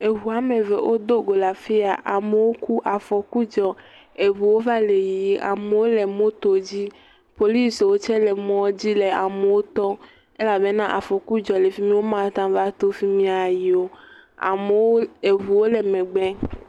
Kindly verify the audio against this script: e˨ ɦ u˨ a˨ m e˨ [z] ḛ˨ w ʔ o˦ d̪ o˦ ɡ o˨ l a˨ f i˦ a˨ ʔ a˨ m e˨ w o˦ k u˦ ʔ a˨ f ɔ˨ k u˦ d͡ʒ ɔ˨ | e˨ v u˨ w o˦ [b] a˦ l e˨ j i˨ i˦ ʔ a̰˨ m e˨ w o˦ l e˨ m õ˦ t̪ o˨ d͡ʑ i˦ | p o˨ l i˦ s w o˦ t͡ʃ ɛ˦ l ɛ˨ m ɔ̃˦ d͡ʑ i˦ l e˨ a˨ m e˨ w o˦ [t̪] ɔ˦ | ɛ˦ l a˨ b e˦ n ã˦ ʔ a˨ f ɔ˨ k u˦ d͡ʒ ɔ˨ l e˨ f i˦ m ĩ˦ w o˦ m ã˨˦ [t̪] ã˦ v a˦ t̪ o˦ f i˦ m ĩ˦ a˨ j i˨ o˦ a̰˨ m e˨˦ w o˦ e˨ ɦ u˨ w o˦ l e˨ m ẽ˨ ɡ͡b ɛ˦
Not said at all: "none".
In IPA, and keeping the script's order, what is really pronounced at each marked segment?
v, v, t̪, t̪

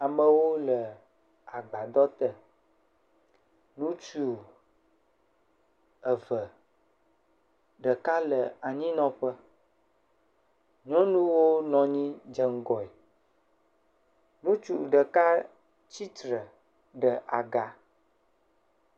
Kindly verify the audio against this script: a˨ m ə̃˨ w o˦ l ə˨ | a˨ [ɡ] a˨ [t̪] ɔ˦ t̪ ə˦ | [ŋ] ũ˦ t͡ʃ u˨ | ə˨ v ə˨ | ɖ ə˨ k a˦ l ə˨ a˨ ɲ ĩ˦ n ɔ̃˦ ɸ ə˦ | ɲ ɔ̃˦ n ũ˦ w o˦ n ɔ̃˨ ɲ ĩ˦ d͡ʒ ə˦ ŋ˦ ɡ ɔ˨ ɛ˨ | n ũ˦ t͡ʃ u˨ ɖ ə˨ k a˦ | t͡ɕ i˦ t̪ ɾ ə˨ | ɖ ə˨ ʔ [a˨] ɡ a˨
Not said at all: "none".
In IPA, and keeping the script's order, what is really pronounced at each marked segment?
ɡ͡b, d̪, n, a˨

